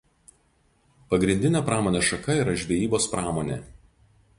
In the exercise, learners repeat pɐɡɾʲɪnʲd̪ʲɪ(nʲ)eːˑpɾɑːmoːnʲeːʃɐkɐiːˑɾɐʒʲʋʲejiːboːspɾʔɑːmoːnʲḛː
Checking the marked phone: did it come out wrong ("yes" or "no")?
no